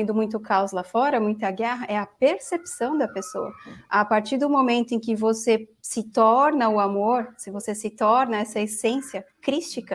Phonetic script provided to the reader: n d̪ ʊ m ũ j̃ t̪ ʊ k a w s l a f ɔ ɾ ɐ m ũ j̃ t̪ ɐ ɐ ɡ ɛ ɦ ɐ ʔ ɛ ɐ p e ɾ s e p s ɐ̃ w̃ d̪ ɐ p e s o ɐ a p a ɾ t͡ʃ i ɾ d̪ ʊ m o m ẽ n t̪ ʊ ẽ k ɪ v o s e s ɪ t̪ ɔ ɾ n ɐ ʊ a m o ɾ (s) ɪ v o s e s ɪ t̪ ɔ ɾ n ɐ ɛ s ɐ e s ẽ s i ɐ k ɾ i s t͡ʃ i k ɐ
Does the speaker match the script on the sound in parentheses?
yes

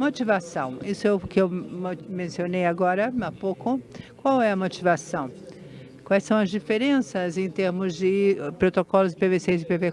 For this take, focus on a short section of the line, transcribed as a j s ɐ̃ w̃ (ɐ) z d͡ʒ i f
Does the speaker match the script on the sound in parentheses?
yes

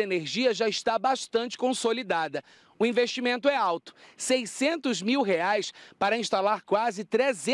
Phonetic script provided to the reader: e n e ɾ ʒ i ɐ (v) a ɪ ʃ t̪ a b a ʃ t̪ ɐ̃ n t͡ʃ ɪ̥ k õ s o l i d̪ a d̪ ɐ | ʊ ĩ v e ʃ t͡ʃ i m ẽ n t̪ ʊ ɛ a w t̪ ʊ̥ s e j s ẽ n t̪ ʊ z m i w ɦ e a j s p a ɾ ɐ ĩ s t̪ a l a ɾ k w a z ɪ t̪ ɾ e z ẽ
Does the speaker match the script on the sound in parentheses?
no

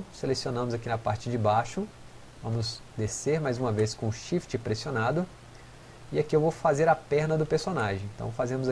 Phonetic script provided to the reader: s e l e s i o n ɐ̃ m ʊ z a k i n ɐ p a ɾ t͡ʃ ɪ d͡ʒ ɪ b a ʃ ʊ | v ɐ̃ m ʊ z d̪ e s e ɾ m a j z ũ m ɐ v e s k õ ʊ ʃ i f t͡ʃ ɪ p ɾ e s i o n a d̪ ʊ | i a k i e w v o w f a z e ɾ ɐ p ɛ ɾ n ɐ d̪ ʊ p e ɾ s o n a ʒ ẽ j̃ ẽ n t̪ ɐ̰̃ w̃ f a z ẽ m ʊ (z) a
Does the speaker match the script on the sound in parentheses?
yes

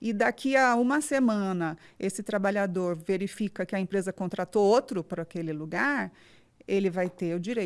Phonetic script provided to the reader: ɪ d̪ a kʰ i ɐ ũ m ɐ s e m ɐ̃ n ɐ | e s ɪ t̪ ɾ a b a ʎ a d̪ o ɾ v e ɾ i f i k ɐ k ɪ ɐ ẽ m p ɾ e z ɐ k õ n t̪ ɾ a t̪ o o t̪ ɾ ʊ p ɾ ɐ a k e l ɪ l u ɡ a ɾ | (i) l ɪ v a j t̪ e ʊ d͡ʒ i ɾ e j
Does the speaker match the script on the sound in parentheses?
no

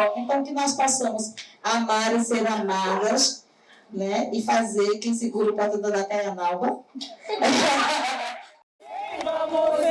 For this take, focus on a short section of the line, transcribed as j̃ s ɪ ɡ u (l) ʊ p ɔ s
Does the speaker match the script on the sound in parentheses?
no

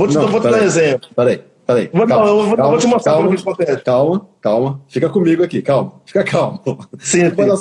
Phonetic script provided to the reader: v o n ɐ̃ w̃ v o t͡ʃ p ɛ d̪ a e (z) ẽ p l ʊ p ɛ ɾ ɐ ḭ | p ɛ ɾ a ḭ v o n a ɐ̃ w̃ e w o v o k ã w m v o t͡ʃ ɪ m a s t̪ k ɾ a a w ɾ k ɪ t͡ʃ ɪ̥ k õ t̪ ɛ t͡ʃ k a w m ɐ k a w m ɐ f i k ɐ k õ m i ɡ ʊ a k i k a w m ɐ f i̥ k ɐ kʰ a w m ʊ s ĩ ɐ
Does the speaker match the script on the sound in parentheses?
yes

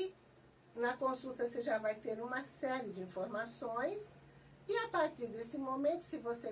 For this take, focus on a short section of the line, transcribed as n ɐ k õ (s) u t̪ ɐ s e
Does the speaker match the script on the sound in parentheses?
yes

